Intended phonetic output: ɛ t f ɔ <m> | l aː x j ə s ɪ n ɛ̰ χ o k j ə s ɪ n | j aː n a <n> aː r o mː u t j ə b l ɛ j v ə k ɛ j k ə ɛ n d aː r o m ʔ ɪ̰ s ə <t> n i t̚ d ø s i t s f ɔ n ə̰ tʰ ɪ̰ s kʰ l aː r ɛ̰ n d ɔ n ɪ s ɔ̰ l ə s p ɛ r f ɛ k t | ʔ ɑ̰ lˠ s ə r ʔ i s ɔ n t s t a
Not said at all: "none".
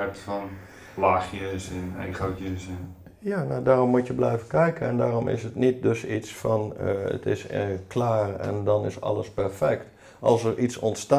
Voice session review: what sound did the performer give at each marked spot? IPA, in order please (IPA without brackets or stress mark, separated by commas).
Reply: n, d, t